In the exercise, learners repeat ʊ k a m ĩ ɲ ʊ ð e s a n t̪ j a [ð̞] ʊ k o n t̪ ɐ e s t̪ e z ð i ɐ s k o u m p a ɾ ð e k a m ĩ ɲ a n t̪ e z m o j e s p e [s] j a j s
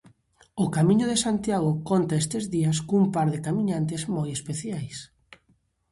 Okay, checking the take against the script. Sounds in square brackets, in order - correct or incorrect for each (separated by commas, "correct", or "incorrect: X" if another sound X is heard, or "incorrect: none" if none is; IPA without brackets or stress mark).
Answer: incorrect: ɣ̞, incorrect: θ